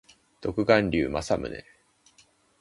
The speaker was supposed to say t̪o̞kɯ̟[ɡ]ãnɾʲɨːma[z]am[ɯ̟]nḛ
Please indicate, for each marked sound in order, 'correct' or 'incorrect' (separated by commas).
correct, incorrect, correct